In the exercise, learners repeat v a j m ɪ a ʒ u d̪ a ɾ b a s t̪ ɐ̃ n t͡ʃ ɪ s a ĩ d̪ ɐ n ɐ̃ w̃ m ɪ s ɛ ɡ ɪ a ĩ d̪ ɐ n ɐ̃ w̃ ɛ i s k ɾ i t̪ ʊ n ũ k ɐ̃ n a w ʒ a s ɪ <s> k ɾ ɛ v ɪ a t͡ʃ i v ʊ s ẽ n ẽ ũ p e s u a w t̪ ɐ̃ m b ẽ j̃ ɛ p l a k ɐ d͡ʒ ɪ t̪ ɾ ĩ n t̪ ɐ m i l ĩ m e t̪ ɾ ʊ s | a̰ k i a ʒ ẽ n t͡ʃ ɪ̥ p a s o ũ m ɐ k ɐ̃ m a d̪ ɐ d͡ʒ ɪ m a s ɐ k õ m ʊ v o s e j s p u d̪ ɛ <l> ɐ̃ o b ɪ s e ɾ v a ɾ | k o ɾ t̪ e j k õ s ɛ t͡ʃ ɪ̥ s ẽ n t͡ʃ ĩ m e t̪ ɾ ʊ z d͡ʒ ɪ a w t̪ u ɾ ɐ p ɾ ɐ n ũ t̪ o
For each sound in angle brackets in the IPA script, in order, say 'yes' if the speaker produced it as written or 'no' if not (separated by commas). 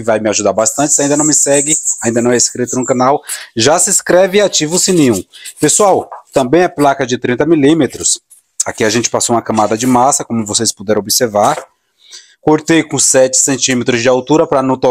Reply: yes, no